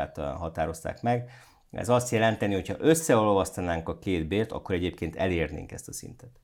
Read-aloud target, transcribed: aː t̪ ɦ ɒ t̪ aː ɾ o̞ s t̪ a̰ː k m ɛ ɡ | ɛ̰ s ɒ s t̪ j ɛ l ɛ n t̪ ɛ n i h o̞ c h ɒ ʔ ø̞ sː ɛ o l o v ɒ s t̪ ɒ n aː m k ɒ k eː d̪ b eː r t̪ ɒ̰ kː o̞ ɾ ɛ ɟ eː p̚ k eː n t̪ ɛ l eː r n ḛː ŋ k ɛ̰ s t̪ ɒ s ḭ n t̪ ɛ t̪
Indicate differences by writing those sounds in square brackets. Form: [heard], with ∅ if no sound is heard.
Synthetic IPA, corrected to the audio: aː t̪ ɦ ɒ t̪ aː ɾ o̞ s t̪ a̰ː k m ɛ ɡ | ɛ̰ [z] ɒ s t̪ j ɛ l ɛ n t̪ ɛ n i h o̞ c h ɒ ʔ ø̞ sː ɛ o l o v ɒ s t̪ ɒ n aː [ŋ] k ɒ k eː d̪ b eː r t̪ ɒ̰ kː o̞ ɾ ɛ ɟ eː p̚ k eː n t̪ ɛ l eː r n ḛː ŋ k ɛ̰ s t̪ ɒ s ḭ n t̪ ɛ t̪